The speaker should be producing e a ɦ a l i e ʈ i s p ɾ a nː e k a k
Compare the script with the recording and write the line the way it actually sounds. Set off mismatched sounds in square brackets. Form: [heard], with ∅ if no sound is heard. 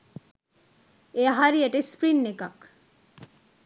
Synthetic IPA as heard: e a ɦ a [ɾ] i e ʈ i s p ɾ [i] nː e k a k